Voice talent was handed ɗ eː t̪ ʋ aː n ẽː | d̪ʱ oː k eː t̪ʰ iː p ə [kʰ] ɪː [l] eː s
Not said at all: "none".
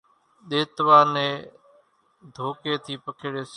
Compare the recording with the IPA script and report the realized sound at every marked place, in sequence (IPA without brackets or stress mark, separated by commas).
kʰ, ɽ